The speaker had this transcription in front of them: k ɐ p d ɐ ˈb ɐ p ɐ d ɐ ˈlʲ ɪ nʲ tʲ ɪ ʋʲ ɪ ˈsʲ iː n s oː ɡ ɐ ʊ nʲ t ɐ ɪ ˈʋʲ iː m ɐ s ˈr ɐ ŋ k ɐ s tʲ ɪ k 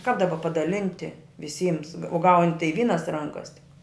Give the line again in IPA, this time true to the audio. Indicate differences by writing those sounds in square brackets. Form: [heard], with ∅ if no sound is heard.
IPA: k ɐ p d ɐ ˈb ɐ p ɐ d ɐ ˈlʲ ɪ nʲ tʲ ɪ ʋʲ ɪ ˈsʲ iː [m] s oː ɡ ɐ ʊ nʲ t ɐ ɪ ˈʋʲ iː [n] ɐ s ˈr ɐ ŋ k ɐ s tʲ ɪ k